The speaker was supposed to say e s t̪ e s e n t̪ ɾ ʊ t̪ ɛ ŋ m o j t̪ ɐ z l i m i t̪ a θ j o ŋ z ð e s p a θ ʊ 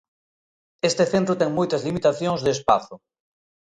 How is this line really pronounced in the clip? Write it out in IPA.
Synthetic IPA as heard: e s t̪ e θ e n t̪ ɾ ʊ t̪ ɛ ŋ m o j t̪ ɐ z l i m i t̪ a θ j o ŋ z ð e s p a θ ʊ